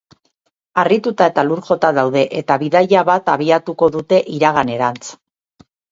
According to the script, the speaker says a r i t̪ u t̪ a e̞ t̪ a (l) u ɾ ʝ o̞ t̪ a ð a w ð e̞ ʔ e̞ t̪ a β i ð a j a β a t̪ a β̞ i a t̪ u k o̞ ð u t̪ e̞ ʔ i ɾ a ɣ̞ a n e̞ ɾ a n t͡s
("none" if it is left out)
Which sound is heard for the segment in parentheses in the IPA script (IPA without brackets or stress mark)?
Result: l